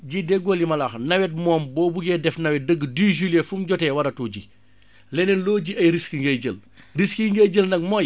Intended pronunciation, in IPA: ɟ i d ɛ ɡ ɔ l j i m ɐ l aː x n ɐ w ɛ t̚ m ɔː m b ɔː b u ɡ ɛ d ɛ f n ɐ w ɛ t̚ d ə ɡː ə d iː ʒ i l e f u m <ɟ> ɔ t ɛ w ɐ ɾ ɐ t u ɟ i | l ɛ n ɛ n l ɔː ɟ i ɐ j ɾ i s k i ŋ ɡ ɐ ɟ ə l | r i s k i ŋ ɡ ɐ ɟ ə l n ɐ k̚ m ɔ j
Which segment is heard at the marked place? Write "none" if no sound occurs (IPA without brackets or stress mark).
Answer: ɟ